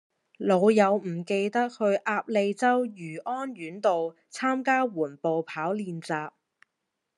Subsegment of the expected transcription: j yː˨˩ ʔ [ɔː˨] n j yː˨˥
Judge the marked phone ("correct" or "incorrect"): incorrect